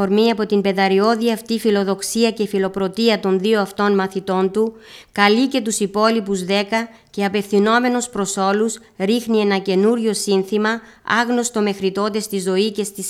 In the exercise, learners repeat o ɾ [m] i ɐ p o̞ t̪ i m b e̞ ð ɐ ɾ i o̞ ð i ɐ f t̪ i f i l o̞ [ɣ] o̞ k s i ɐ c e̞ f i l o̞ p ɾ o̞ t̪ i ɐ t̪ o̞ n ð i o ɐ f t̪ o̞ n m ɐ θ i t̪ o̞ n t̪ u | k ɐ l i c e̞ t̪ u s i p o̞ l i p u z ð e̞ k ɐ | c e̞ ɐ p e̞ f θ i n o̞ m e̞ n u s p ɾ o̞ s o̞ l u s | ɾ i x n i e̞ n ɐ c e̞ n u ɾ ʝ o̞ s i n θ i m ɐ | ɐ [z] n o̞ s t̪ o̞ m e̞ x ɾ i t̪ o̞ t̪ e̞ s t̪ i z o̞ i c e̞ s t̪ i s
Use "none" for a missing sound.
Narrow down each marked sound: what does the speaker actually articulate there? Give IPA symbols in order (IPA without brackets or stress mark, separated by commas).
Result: m, ð, ɣ